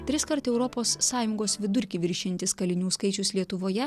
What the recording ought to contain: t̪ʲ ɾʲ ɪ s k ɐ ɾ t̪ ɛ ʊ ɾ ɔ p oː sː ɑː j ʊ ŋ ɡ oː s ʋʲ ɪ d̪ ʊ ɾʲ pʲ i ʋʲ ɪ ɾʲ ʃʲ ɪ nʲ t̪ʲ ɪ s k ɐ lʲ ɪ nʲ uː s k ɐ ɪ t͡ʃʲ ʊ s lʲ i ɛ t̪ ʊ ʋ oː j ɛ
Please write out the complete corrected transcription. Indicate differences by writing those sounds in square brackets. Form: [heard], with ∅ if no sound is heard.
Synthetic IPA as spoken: t̪ʲ ɾʲ ɪ s k ɐ ɾ t̪ ɛ ʊ ɾ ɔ p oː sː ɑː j ʊ ŋ ɡ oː s ʋʲ ɪ d̪ ʊ ɾʲ [kʲ] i ʋʲ ɪ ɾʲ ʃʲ ɪ nʲ t̪ʲ ɪ s k ɐ lʲ ɪ nʲ uː s k ɐ ɪ t͡ʃʲ ʊ s lʲ i ɛ t̪ ʊ ʋ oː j ɛ